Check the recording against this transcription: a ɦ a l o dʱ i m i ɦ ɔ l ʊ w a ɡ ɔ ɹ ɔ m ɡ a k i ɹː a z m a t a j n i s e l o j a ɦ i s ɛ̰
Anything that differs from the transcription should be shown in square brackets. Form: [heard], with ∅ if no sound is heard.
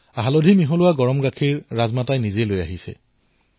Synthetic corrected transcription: a ɦ a l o dʱ i m i ɦ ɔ l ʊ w a ɡ ɔ ɹ ɔ m ɡ a [kʰ] i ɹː a z m a t a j n i [z] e l o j a ɦ i s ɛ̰